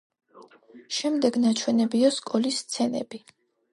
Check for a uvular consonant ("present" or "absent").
absent